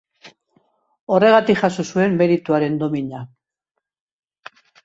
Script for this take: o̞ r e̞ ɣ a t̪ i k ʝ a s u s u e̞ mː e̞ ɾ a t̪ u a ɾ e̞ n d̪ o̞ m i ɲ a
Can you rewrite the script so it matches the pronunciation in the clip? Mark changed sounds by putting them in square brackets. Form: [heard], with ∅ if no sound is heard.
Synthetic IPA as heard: o̞ r e̞ ɣ a t̪ i k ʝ a s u s u e̞ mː e̞ ɾ [i] t̪ u a ɾ e̞ n d̪ o̞ m i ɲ a